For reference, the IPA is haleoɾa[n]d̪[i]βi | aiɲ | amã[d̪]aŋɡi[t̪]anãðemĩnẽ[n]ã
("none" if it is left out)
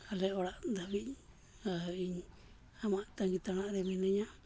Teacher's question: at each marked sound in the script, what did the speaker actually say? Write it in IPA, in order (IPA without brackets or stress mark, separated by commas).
n, a, t̪, t̪, ɲ